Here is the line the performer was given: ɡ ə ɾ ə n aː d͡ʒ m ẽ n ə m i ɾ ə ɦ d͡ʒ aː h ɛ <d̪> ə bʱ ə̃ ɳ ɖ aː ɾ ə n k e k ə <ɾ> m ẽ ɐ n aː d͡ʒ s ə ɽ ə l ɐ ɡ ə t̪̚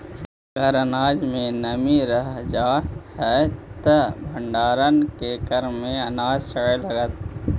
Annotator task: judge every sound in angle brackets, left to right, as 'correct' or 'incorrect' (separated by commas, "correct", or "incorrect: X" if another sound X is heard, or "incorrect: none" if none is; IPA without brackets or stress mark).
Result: incorrect: t̪, correct